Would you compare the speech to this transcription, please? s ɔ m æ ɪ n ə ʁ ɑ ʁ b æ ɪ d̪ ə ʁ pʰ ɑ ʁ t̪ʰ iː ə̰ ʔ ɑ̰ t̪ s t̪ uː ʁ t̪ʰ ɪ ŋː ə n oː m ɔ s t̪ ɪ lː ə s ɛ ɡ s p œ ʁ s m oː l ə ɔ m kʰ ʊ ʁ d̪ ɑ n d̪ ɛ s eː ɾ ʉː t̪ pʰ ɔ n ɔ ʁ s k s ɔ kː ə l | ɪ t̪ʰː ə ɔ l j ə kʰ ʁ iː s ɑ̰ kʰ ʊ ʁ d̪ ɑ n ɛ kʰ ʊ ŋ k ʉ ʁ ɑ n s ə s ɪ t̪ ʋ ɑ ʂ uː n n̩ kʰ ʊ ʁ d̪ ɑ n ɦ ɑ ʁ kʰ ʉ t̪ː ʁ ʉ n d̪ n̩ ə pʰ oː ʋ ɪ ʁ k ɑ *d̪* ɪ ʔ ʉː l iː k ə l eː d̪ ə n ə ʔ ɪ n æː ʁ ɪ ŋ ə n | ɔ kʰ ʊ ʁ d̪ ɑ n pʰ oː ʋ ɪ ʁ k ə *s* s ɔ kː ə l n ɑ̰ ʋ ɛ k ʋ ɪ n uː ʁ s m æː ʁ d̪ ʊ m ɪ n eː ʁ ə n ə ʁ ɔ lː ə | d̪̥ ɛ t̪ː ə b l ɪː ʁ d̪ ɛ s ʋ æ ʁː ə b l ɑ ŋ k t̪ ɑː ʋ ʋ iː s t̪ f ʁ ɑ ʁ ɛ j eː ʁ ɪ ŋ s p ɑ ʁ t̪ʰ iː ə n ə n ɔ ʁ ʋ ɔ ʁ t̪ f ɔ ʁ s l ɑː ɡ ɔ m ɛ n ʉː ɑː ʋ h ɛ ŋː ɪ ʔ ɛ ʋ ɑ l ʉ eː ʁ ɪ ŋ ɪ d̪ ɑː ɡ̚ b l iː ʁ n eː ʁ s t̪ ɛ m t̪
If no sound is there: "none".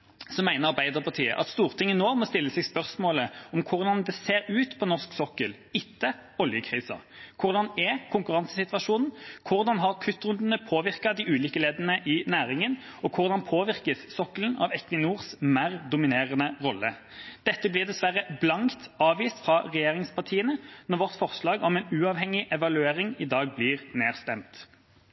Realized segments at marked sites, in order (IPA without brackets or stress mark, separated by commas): d̪, s